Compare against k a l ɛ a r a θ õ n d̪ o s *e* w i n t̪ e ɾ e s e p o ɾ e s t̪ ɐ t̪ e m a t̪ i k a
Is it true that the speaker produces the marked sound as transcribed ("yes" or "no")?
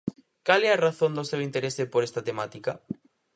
yes